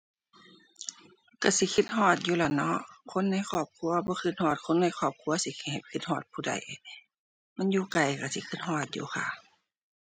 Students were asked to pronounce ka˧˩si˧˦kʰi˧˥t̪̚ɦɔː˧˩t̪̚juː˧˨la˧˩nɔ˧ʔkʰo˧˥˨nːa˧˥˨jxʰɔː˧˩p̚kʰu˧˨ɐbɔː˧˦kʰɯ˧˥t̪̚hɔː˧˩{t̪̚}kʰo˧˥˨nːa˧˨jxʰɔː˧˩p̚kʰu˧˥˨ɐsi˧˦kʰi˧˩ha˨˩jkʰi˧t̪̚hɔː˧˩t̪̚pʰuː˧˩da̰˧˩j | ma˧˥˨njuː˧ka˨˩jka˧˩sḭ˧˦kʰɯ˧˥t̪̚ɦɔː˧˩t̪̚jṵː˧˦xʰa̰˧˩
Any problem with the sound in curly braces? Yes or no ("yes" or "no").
no